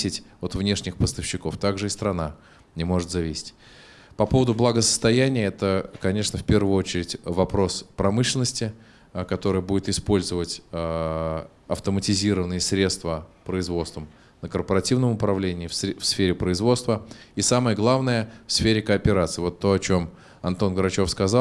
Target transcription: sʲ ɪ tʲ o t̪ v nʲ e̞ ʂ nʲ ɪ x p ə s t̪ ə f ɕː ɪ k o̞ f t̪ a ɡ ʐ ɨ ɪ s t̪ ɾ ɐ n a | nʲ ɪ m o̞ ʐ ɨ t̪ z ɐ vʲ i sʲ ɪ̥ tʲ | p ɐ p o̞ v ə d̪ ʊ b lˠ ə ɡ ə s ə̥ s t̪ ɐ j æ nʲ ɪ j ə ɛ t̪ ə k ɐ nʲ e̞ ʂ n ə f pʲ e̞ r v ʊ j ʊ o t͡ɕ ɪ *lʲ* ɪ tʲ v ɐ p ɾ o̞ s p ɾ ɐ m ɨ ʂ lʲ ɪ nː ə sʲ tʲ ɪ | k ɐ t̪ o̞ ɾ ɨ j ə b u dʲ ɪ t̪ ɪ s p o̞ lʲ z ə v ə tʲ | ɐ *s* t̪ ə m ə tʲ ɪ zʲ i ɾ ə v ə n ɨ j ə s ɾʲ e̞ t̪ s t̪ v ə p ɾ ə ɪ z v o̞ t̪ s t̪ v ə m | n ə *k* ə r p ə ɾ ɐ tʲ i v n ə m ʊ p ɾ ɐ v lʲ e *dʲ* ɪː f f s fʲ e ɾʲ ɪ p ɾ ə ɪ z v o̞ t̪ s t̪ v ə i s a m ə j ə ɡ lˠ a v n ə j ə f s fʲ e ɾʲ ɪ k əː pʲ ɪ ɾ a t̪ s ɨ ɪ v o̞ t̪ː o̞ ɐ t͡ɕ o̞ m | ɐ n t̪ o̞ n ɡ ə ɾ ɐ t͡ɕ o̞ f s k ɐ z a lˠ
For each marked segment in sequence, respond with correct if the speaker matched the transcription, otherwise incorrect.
incorrect: ɾʲ, incorrect: f, correct, incorrect: nʲ

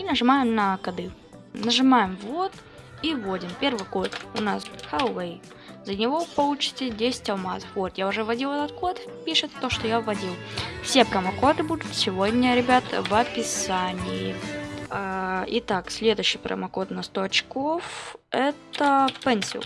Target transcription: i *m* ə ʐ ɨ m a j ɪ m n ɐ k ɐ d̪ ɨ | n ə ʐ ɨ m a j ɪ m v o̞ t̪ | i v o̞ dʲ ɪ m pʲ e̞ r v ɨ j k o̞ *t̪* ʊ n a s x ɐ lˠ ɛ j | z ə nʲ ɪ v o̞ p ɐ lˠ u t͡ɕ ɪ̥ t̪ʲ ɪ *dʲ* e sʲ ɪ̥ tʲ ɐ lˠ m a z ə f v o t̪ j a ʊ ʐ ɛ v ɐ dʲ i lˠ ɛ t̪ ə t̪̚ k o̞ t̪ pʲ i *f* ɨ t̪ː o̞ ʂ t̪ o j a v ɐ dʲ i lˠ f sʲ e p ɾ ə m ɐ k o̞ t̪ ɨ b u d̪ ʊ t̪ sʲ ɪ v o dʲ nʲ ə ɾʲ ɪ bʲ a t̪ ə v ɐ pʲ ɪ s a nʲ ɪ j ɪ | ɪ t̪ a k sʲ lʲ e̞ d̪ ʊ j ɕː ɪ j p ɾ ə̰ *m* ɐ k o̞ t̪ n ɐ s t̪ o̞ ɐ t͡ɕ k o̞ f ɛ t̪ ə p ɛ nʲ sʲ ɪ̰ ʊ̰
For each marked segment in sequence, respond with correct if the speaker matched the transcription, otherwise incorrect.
incorrect: n, correct, correct, incorrect: ʂ, correct

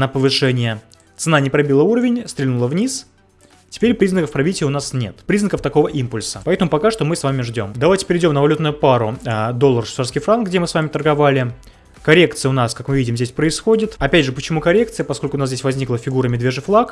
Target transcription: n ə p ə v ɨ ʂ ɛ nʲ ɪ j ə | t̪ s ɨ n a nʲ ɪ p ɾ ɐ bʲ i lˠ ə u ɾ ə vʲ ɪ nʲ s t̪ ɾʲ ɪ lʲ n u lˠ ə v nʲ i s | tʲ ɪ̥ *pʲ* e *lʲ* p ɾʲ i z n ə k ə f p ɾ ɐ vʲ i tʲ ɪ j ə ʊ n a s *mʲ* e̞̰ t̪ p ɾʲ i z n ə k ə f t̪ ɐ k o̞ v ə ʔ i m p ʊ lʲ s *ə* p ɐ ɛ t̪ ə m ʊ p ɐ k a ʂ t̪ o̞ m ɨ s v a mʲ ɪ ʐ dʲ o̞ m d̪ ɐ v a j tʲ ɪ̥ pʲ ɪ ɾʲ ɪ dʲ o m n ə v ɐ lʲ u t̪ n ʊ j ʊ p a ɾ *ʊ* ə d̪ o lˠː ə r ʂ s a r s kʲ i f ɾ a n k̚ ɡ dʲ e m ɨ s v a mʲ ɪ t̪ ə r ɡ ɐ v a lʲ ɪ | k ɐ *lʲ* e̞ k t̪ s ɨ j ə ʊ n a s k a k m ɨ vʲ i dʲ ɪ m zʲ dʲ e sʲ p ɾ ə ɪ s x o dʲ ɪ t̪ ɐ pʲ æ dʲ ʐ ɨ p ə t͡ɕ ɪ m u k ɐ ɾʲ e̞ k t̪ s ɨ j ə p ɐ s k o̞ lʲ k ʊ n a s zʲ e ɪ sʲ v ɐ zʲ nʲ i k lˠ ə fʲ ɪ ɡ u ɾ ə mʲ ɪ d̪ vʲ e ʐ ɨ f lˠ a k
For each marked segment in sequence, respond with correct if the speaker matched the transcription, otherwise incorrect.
correct, incorrect: ɾʲ, incorrect: nʲ, correct, correct, incorrect: ɾʲ

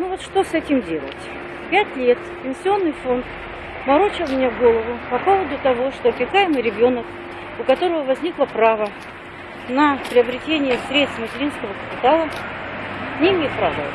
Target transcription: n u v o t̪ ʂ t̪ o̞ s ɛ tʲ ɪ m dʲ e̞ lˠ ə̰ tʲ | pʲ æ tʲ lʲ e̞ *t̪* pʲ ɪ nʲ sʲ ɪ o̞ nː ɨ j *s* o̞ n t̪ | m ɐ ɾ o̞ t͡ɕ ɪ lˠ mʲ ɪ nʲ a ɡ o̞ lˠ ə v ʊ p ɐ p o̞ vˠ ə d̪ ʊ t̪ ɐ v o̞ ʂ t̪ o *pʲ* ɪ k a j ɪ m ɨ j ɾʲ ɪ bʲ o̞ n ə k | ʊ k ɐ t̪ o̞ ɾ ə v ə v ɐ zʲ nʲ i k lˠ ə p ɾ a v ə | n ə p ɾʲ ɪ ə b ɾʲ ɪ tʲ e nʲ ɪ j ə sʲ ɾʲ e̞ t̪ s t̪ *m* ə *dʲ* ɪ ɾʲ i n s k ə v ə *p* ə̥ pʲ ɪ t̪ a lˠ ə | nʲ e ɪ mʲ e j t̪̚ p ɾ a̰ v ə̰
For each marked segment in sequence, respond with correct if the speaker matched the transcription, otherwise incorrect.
correct, incorrect: f, correct, correct, incorrect: tʲ, incorrect: k

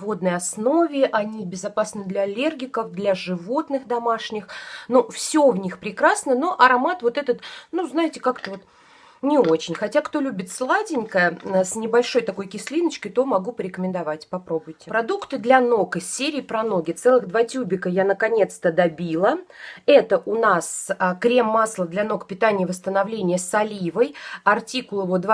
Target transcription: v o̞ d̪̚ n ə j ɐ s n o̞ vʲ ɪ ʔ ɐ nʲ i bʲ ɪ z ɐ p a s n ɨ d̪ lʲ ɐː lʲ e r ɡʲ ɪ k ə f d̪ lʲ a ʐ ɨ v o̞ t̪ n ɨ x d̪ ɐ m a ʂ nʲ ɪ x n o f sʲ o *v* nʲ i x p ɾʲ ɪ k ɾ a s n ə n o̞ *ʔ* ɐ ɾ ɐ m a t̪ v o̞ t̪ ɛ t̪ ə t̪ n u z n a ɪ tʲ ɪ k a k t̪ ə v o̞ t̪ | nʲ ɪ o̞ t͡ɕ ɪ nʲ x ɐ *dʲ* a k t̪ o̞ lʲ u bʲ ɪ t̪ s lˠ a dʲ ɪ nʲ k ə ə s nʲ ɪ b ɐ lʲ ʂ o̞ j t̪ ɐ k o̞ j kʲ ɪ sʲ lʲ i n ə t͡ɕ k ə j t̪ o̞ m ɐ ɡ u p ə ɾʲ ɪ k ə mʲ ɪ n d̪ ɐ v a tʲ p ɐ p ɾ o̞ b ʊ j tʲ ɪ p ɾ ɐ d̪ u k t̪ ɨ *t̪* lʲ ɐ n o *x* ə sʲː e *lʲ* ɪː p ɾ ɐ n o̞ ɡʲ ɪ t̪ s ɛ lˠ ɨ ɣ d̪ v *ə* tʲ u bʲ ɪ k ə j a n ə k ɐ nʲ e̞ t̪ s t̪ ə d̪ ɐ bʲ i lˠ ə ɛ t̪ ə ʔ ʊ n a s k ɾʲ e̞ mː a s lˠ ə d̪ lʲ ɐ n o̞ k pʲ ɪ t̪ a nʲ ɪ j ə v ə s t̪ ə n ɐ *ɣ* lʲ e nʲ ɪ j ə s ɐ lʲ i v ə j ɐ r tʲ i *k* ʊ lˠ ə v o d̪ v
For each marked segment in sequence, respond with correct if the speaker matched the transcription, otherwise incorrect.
correct, correct, incorrect: tʲ, incorrect: d̪, incorrect: k, incorrect: ɾʲ, incorrect: a, incorrect: v, correct

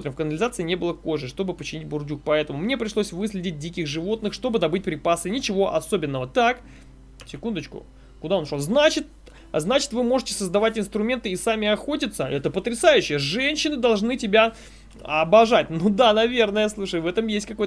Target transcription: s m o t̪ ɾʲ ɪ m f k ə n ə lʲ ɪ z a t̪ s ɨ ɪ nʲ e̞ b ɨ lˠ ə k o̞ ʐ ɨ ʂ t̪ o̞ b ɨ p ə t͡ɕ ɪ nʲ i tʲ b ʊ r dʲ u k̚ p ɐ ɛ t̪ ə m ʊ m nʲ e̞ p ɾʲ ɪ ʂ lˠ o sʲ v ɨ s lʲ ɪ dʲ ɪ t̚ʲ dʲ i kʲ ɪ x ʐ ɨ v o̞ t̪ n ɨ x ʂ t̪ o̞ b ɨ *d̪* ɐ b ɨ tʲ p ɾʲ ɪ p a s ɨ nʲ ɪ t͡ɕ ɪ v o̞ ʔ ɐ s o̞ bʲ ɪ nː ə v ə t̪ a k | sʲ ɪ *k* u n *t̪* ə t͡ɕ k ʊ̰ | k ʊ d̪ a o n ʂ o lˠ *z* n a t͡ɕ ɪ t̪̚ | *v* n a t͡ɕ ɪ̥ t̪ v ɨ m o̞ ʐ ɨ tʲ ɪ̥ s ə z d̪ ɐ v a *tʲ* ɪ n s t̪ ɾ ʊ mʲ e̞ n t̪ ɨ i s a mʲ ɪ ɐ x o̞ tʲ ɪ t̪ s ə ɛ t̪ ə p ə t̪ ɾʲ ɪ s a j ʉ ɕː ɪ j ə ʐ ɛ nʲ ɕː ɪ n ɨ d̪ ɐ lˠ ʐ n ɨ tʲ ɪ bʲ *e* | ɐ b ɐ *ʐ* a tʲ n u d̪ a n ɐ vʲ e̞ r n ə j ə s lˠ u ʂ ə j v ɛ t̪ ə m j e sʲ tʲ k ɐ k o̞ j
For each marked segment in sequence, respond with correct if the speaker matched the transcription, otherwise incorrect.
correct, correct, incorrect: d̪, correct, incorrect: z, correct, incorrect: a, correct

